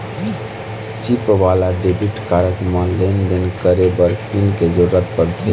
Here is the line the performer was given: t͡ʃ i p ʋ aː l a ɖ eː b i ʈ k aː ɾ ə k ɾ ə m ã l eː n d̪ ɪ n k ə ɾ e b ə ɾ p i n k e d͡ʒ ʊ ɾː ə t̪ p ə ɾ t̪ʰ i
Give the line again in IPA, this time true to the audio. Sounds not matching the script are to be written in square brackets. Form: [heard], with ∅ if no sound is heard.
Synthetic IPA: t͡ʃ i p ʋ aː l a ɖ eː b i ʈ k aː ɾ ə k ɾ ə m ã l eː n d̪ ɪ n k ə ɾ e b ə ɾ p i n k e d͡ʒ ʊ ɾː ə t̪ p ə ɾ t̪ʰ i